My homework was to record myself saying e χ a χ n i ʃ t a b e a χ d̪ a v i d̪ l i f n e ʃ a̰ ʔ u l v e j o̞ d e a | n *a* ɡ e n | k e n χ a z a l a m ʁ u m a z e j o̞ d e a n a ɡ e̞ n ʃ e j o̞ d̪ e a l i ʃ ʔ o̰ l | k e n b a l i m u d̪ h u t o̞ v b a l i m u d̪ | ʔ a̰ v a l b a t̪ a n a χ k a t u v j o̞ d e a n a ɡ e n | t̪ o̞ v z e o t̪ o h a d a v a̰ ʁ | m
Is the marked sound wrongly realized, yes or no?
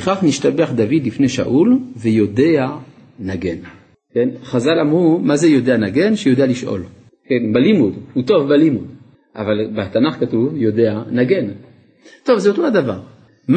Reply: no